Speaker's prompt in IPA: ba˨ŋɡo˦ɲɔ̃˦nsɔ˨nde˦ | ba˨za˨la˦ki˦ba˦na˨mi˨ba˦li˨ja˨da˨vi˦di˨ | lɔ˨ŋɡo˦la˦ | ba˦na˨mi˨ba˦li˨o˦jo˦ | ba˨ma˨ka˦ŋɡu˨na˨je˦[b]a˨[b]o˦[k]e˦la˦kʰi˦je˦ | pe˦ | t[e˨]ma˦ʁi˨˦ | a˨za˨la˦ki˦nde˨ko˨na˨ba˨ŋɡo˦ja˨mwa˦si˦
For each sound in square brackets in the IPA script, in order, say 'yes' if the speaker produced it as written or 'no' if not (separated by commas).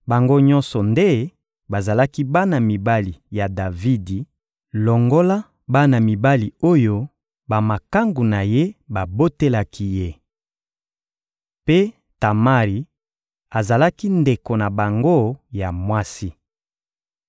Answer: yes, yes, no, no